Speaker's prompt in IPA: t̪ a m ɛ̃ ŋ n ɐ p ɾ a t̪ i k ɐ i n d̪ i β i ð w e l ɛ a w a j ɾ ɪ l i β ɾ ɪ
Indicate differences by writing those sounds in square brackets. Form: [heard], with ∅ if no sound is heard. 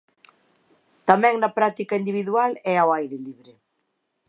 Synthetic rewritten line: t̪ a m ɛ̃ ŋ n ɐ p ɾ a t̪ i k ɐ i n d̪ i β i ð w [a] l ɛ a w a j ɾ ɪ l i β ɾ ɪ